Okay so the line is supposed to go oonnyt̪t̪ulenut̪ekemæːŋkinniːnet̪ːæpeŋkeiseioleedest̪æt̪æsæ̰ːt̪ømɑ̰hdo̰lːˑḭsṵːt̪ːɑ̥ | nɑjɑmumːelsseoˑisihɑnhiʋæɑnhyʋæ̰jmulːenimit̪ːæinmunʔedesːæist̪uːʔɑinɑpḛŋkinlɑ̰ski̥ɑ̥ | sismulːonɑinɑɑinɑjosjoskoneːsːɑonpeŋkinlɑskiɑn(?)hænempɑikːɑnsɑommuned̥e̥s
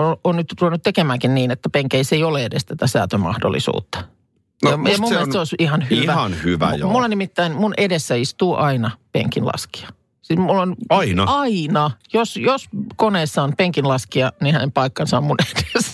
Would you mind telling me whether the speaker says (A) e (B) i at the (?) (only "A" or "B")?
B